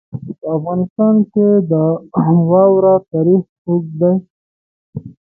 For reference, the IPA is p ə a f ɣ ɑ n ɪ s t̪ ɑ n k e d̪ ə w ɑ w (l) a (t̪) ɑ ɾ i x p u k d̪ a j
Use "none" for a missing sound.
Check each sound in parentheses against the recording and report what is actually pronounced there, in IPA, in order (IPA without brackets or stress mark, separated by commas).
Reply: ɾ, t̪